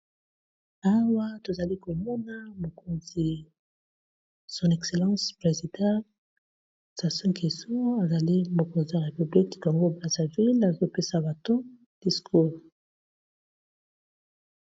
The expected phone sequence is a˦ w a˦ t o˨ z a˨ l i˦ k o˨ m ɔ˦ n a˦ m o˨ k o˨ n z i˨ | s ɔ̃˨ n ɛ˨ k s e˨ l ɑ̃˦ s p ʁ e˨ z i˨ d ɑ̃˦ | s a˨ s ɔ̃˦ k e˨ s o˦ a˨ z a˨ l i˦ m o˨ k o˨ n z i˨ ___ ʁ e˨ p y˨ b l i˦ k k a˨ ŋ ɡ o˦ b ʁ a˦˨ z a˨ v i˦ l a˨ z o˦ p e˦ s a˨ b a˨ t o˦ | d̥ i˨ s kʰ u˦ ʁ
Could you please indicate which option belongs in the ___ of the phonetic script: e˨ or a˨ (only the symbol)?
a˨